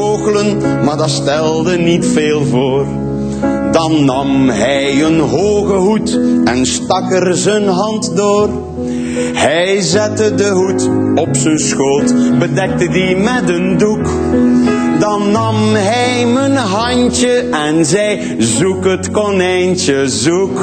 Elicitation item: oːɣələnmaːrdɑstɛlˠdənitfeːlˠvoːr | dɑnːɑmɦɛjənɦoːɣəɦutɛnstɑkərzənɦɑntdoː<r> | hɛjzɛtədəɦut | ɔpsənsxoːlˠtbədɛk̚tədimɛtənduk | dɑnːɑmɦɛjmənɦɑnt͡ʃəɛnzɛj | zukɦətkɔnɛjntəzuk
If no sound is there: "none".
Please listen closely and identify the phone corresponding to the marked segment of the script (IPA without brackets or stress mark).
r